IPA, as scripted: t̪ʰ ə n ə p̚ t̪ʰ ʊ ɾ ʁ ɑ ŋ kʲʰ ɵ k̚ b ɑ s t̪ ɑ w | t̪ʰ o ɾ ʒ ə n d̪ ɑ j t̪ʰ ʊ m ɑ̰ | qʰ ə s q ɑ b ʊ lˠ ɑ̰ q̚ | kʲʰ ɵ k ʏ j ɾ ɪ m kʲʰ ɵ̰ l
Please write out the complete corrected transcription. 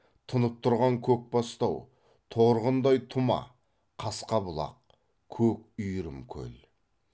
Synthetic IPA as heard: t̪ʰ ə n ə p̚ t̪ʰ ʊ ɾ ʁ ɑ ŋ kʲʰ ɵ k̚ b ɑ s t̪ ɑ w | t̪ʰ o ɾ ʁ ə n d̪ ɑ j t̪ʰ ʊ m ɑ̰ | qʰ ɑ s q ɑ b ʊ lˠ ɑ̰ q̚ | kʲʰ ɵ k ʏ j ɾ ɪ m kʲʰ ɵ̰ l